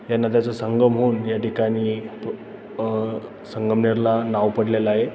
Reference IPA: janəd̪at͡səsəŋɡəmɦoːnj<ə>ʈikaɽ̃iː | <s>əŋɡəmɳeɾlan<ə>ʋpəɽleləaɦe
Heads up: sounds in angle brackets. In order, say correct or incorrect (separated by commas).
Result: incorrect, correct, incorrect